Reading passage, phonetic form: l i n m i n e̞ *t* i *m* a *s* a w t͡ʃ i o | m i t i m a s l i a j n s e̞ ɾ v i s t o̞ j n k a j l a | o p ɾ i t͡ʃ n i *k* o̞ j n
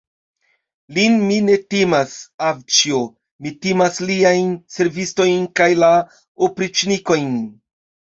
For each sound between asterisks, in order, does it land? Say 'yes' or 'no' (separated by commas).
yes, yes, yes, yes